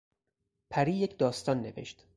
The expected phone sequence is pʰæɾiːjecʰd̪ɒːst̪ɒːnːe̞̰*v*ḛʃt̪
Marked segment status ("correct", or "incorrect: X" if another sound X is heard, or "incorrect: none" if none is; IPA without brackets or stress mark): correct